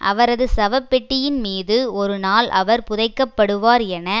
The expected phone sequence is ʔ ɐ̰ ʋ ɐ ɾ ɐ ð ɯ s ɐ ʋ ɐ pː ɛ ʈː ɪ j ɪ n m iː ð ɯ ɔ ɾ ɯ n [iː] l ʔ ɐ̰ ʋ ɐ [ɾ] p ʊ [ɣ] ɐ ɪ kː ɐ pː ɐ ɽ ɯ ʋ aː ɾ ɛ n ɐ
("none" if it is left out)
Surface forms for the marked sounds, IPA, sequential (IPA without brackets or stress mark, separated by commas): aː, ɾ, ð